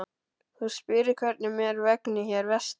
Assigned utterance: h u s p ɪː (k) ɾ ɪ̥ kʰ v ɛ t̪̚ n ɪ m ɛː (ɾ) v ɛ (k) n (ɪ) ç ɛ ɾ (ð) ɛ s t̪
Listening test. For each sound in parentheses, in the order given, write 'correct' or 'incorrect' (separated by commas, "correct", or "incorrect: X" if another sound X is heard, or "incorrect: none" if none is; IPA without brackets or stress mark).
incorrect: none, correct, correct, correct, incorrect: v